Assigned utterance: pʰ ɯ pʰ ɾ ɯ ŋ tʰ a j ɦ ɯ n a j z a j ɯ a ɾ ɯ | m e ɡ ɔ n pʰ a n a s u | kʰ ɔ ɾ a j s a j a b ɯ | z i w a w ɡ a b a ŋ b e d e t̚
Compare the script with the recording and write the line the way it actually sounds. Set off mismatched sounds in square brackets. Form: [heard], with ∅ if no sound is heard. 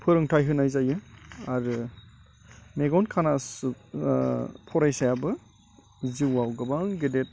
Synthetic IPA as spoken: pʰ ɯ [∅] ɾ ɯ ŋ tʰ a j ɦ ɯ n a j z a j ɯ a ɾ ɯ | m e ɡ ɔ n [kʰ] a n a s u | [pʰ] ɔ ɾ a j s a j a b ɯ | z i w a w ɡ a b a ŋ [ɡ] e d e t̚